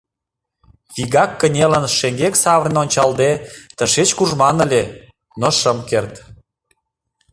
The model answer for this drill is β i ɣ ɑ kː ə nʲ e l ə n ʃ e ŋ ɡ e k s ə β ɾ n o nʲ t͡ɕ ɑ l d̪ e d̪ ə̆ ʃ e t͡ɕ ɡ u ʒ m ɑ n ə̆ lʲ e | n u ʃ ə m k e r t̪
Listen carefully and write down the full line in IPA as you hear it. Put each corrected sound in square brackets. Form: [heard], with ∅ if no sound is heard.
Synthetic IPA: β i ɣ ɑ kː ə nʲ e l ə n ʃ e ŋ ɡ e k s [ɑ] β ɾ n o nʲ t͡ɕ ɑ l d̪ e [t̪] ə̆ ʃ e t͡ɕ [k] u ʒ m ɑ n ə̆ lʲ e | n [o] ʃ ə m k e r t̪